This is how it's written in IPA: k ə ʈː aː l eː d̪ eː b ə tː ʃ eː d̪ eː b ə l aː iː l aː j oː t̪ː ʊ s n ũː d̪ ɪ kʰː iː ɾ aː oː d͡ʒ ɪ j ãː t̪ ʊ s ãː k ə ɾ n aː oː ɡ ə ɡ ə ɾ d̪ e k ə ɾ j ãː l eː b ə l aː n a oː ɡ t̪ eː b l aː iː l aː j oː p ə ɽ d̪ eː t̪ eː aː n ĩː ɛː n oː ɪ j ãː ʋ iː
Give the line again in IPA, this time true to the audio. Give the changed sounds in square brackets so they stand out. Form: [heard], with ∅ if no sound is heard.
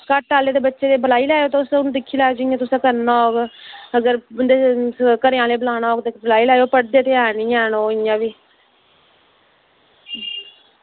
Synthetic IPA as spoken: k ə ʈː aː l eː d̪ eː b ə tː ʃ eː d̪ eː b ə l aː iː l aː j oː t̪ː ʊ s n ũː d̪ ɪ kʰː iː [l] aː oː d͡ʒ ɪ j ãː t̪ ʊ s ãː k ə ɾ n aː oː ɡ ə ɡ ə ɾ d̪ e k ə ɾ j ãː l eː b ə l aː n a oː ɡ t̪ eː b l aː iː l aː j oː p ə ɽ d̪ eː t̪ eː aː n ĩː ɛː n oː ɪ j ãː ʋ iː